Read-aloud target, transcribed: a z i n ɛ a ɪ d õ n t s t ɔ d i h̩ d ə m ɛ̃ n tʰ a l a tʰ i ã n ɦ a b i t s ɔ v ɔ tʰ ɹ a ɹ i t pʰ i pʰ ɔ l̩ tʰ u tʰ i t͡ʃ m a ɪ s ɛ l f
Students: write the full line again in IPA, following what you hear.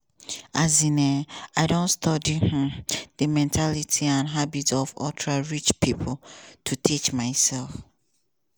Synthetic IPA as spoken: a z i n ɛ a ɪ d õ n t s t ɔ d i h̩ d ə m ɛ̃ n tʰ a l i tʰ i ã n ɦ a b i t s ɔ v ɔ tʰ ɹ a ɹ i t͡ʃ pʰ i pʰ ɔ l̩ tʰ u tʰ i t͡ʃ m a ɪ s ɛ l f

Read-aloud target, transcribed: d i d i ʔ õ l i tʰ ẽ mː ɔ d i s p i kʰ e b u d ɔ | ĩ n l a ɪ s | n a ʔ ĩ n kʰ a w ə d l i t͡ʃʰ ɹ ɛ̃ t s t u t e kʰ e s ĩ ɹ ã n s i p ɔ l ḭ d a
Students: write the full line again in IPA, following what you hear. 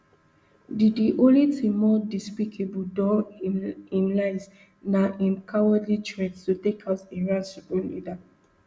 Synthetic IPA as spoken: d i d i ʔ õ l i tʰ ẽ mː ɔ d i s p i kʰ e b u d ɔ | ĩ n l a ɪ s | n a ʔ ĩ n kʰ a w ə d l i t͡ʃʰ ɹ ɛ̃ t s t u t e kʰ a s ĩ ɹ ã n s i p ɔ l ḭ d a

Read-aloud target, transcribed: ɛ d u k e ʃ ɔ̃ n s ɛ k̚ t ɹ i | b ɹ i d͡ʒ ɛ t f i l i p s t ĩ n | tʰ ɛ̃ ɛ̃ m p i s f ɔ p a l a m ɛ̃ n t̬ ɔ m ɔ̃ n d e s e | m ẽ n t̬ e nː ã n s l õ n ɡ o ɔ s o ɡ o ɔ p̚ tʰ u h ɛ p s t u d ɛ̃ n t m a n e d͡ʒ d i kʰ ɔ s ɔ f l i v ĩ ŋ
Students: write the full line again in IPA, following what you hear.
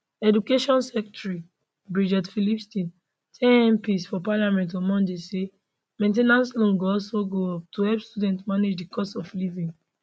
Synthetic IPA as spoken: ɛ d u k e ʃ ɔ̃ n s ɛ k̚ t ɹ i | b ɹ i d͡ʒ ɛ t f i l i p s t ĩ n | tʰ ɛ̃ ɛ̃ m p i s f ɔ p a l a m ɛ̃ n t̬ ɔ m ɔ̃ n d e s e | m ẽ n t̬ e n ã n s l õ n ɡ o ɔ s o ɡ o ɔ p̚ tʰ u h ɛ p s t u d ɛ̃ n t m a n e d͡ʒ d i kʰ ɔ s ɔ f l i v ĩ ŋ

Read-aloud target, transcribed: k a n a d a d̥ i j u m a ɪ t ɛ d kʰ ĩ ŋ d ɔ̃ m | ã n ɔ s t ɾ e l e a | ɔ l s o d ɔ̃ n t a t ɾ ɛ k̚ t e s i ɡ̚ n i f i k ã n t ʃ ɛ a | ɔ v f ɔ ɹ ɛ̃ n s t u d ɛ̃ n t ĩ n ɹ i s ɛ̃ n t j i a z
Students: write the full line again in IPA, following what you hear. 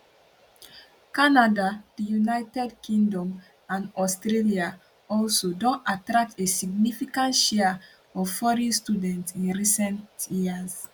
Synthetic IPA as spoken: k a n a d a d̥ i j u n a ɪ t ɛ d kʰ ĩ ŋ d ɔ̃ m | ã n ɔ s t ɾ e l i a | ɔ l s o d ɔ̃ n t a t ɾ a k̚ t e s i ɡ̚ n i f i k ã n t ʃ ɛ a | ɔ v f ɔ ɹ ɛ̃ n s t u d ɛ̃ n t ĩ n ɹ i s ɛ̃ n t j i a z

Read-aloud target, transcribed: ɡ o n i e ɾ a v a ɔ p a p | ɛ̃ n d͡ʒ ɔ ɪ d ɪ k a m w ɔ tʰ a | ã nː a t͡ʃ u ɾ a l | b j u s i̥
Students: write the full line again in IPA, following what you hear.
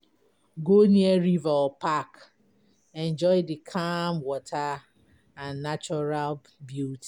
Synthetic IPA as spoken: ɡ o n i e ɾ i v a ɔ p a k | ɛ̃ n d͡ʒ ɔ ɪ d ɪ kʰ a m w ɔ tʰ a | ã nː a t͡ʃ ɔ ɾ a l | b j u t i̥

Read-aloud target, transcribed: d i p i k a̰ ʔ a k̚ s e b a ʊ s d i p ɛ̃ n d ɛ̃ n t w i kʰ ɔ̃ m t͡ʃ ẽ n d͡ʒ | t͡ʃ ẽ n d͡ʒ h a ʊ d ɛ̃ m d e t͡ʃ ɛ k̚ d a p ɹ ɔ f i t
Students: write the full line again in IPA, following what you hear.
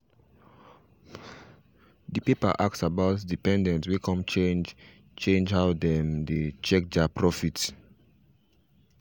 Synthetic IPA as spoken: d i p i p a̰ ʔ a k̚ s a b a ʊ t d i p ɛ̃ n d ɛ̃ n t w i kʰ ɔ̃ m t͡ʃ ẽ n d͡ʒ | t͡ʃ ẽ n d͡ʒ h a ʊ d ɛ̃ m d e t͡ʃ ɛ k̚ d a p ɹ ɔ f i t

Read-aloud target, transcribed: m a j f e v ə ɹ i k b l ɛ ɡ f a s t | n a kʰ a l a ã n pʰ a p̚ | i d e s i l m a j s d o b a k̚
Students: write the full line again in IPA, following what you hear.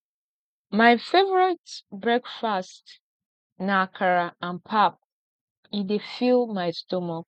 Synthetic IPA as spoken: m a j f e v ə ɹ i t b ɹ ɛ k f a s t | n a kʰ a ɹ a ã n pʰ a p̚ | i d e f i l m a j s t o m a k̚

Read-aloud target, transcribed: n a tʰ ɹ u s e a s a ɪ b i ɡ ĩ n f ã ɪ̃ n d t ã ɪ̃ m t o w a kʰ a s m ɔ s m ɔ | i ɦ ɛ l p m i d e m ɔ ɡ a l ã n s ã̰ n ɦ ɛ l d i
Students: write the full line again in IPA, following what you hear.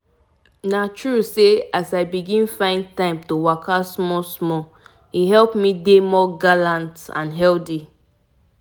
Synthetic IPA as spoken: n a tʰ ɹ u s e a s a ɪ b i ɡ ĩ n f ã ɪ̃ n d t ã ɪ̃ m t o w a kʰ a s m ɔ s m ɔ | i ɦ ɛ l p m i d e m ɔ ɡ a l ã n t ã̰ n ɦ ɛ l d i

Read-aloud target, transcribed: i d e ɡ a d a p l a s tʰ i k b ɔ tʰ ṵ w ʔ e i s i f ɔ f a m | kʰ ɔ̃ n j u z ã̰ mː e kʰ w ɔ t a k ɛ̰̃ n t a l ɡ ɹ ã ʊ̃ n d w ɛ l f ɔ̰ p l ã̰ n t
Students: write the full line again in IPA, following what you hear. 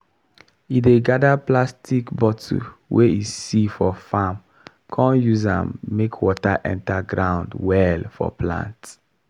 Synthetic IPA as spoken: i d e ɡ a d a p l a s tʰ i k b ɔ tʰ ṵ w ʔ e i s i f ɔ f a m | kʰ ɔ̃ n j u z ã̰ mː e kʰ w ɔ t a ʔ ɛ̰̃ n t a ɡ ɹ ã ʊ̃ n d w ɛ l f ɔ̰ p l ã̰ n t

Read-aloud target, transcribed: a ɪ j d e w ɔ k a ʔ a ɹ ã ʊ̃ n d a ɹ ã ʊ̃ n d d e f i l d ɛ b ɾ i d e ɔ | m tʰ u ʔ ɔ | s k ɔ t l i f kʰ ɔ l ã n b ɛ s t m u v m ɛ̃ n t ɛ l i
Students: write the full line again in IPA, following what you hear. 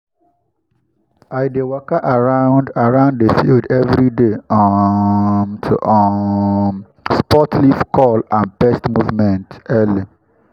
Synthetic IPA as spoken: a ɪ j d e w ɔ k a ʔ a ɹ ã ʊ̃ n d a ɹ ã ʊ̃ n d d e f i l d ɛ v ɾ i d e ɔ | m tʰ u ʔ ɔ | s p ɔ t l i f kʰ ɔ l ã n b ɛ s t m u v m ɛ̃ n t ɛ l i

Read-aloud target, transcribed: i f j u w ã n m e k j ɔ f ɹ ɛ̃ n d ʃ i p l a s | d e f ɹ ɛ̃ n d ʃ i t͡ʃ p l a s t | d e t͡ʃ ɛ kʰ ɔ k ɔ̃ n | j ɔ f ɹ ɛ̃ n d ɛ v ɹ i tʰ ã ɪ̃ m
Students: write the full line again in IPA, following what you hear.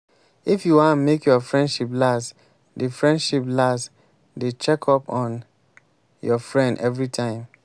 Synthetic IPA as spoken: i f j u w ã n m e k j ɔ f ɹ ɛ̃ n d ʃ i p l a s | d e f ɹ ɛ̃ n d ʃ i p l a s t | d e t͡ʃ ɛ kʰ ɔ p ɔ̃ n | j ɔ f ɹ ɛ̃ n d ɛ v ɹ i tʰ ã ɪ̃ m

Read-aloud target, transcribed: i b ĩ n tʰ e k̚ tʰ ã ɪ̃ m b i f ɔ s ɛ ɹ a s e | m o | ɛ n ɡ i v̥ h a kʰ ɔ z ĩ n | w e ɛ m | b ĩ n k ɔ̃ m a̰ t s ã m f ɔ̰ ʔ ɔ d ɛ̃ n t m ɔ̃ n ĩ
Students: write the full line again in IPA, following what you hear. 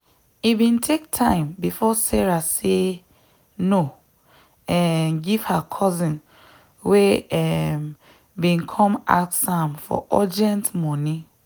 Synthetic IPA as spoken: i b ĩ n tʰ e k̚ tʰ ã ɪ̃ m b i f ɔ s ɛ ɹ a s e | n o | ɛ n ɡ i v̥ h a kʰ ɔ z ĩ n | w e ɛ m | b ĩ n kʰ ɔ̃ m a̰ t s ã m f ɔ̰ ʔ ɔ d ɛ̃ n t m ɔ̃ n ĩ

